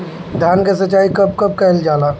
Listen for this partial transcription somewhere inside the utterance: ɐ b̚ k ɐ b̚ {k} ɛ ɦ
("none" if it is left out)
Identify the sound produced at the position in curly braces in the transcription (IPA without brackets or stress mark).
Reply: k